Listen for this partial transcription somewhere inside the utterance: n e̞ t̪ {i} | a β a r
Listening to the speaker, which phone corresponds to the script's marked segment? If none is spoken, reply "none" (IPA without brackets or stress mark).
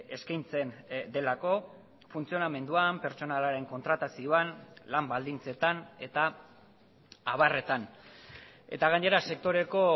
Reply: a